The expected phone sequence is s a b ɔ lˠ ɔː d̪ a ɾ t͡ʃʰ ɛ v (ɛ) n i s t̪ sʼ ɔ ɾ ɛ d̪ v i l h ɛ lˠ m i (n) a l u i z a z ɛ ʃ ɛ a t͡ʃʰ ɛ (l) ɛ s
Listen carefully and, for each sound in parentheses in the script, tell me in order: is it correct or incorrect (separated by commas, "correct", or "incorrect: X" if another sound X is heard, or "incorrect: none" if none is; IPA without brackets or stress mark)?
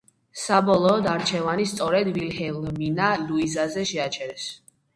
incorrect: a, correct, incorrect: ɾ